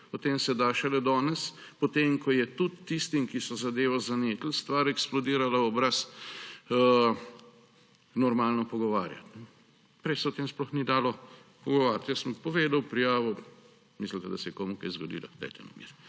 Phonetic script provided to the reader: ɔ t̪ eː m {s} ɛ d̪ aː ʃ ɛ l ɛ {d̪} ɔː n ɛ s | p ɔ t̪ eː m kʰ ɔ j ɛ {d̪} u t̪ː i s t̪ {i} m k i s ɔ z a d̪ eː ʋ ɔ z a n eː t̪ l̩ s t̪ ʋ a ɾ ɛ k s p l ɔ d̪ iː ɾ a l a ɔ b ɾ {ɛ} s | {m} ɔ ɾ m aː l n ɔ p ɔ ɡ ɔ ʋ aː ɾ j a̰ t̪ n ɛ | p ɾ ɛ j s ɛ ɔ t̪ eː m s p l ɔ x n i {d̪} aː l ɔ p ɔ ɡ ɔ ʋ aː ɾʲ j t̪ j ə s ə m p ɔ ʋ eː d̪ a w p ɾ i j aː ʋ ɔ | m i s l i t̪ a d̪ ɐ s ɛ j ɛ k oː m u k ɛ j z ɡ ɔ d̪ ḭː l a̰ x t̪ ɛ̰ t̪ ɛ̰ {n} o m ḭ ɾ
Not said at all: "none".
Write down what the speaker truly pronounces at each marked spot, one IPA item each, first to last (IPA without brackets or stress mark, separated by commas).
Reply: s, d̪, t̪, i, a, n, d̪, n